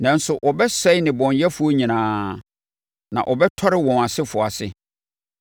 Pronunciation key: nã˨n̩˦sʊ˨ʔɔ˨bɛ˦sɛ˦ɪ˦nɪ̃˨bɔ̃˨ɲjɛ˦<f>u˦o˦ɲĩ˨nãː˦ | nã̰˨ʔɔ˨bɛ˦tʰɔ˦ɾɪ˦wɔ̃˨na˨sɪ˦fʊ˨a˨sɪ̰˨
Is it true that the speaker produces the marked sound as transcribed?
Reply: yes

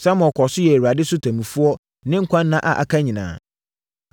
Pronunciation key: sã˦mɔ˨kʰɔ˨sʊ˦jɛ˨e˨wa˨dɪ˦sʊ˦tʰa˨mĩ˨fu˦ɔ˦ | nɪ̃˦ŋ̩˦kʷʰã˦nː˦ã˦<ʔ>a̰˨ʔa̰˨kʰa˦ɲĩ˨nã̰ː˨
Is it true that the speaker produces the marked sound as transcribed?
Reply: yes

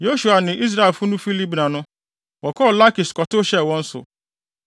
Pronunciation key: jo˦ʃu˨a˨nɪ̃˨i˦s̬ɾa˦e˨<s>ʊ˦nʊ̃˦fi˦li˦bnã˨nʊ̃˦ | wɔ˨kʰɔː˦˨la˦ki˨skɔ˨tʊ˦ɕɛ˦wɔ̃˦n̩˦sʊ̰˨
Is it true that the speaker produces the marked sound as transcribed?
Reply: no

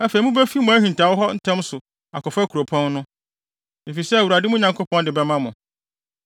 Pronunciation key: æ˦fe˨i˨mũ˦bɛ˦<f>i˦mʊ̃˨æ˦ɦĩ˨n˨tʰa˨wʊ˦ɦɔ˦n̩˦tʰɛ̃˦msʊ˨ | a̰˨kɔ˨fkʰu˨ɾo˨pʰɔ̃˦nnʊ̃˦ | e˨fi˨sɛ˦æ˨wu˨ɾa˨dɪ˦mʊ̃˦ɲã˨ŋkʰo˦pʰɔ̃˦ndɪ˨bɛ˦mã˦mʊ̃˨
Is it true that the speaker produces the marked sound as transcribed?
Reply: yes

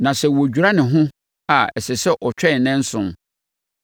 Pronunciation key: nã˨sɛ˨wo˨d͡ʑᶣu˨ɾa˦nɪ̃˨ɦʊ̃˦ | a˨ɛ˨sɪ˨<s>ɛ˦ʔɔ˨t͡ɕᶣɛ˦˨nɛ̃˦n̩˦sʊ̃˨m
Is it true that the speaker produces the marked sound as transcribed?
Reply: yes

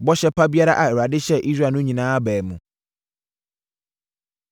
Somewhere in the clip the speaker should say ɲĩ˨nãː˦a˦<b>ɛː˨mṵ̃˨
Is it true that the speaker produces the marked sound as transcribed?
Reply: yes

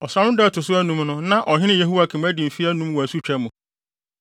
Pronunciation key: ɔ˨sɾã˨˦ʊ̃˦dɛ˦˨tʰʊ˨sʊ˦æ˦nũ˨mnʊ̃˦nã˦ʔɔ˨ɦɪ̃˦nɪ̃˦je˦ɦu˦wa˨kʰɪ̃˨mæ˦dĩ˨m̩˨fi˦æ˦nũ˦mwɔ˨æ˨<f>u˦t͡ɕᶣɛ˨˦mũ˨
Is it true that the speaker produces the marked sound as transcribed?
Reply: no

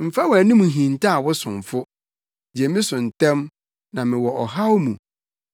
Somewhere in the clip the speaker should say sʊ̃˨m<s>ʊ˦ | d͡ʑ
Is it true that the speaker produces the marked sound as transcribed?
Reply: no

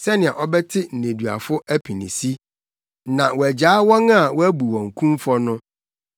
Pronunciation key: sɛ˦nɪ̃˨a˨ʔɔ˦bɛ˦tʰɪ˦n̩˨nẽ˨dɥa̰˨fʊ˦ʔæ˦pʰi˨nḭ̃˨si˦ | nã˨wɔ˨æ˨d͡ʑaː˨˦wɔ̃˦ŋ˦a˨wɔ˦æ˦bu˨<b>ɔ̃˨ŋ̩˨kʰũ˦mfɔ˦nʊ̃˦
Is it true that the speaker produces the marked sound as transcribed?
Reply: no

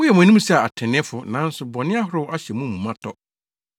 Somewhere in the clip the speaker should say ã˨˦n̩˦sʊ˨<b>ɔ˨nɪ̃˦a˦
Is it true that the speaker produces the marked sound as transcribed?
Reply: yes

